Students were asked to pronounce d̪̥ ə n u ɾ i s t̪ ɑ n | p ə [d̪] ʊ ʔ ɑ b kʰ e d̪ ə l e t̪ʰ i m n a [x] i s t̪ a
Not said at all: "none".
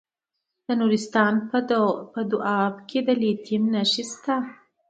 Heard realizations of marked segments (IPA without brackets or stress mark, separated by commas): d̪, ʃ